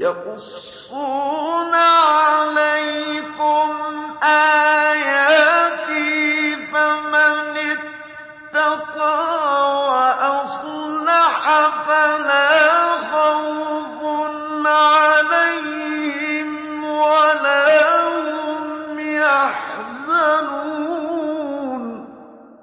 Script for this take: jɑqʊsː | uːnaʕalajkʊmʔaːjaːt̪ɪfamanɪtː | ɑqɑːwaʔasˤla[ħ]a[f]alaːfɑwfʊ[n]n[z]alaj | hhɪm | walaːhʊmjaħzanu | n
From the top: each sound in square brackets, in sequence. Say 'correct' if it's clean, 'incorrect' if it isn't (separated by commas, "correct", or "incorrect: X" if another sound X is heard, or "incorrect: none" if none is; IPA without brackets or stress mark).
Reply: correct, correct, correct, incorrect: ʕ